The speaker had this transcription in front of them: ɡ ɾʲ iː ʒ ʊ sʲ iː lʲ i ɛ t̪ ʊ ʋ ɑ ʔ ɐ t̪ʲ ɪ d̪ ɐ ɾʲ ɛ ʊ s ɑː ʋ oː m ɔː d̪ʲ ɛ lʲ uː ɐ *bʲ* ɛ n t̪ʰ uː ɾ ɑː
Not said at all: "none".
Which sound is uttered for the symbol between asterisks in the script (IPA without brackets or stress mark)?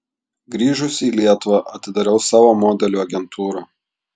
ɡʲ